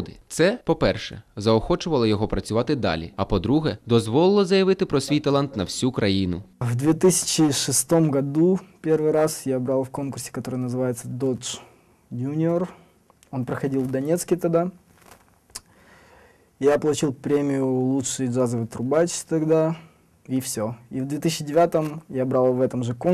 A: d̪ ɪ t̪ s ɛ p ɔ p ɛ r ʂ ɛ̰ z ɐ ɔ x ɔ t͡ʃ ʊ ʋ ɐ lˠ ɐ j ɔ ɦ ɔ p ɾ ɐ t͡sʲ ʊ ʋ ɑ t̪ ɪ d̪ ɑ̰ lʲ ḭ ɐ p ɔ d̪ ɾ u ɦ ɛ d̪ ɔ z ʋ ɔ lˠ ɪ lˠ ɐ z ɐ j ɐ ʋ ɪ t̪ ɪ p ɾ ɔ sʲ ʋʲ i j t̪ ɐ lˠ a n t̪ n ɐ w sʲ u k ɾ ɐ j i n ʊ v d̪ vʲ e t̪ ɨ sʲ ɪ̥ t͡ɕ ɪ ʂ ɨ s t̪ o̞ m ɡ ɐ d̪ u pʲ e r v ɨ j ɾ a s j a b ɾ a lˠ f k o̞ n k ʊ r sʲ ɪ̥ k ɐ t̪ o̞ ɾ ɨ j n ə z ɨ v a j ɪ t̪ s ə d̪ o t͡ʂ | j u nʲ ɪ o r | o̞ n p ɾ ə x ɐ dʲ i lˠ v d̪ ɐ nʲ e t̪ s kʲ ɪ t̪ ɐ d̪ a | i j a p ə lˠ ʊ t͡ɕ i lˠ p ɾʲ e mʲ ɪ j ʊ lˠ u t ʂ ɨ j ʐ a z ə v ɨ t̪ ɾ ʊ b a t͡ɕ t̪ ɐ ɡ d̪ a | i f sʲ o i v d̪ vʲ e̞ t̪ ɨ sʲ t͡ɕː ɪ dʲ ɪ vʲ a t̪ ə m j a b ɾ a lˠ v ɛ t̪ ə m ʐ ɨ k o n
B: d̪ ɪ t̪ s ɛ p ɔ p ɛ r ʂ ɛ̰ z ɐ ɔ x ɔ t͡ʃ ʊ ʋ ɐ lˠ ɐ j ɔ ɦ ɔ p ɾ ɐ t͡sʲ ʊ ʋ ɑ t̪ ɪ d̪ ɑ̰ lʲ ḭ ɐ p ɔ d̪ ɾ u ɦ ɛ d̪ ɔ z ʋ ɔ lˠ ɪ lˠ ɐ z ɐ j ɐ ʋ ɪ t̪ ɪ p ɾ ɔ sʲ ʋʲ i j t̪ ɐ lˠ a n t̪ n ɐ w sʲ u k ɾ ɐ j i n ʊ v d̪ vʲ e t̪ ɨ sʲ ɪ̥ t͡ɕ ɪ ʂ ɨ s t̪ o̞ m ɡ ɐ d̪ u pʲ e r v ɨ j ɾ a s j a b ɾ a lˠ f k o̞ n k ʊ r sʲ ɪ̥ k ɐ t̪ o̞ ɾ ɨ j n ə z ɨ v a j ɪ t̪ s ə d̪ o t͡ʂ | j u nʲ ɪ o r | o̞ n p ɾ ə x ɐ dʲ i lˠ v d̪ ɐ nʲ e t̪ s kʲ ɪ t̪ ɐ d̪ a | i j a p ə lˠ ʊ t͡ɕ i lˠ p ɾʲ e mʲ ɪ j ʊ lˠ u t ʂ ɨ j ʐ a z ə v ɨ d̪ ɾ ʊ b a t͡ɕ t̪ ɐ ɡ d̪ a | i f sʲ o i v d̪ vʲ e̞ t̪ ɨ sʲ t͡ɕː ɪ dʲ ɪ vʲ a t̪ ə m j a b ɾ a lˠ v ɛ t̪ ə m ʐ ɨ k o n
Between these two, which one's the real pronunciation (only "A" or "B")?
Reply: A